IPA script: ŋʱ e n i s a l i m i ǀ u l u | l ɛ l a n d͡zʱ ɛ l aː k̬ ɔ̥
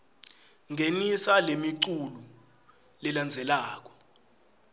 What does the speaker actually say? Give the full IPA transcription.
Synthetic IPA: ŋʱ e n i s a l e m i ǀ u l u | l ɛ l a n d͡zʱ ɛ l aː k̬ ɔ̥